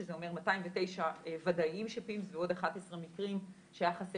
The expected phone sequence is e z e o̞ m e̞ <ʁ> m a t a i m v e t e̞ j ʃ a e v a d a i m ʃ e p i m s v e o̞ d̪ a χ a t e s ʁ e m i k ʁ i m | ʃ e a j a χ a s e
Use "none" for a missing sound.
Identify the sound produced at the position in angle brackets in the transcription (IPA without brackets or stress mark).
ʁ